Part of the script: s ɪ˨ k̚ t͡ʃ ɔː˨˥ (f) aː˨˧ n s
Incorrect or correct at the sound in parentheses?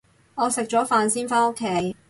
correct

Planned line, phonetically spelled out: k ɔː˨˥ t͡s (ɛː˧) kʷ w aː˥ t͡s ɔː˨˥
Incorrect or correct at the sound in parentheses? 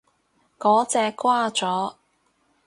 correct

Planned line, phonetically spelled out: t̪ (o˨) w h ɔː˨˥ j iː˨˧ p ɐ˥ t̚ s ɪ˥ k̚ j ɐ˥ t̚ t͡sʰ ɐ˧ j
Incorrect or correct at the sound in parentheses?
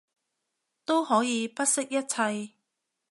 incorrect: o˥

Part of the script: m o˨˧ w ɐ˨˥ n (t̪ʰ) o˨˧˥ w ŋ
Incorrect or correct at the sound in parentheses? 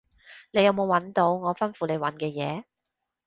incorrect: t̪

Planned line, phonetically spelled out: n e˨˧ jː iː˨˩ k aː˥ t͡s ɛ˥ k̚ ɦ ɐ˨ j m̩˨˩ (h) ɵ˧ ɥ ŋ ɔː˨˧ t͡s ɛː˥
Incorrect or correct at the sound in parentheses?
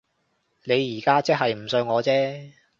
incorrect: s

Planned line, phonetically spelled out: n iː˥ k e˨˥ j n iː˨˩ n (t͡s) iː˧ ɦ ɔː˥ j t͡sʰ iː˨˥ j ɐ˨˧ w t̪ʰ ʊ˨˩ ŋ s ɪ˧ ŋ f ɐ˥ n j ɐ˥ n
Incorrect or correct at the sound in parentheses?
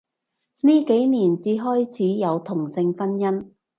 correct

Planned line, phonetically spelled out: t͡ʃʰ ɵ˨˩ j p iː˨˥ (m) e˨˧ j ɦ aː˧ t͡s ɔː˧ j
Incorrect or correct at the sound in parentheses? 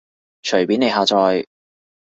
incorrect: n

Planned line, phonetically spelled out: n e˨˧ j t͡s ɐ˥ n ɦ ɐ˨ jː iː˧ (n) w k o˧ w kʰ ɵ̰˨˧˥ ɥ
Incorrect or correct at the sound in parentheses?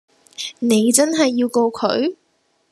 incorrect: none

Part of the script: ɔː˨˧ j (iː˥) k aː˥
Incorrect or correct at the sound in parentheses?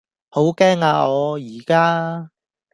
incorrect: iː˨˩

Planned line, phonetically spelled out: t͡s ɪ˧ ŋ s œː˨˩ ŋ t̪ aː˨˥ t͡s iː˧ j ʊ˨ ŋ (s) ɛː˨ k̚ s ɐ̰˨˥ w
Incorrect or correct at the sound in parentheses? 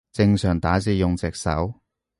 incorrect: t͡s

